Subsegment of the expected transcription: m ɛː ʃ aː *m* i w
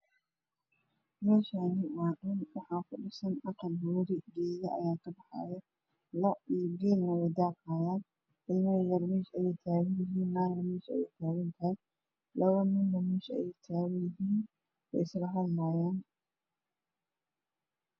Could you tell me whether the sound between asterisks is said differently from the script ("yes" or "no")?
yes